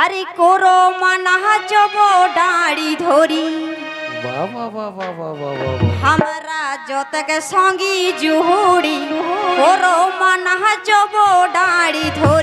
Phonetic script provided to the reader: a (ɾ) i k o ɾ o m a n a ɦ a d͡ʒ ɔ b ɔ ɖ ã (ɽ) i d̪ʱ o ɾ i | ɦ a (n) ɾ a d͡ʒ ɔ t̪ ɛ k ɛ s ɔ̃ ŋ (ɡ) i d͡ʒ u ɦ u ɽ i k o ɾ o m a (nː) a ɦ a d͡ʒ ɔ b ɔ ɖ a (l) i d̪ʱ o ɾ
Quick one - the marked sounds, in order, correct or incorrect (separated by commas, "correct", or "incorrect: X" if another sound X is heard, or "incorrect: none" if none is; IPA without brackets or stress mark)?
correct, correct, incorrect: m, correct, incorrect: n, incorrect: ɽ